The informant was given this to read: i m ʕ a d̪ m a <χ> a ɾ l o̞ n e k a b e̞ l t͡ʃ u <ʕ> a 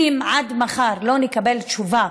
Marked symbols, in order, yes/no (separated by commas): yes, no